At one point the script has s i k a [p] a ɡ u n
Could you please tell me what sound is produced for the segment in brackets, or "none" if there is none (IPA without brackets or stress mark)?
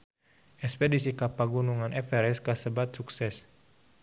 p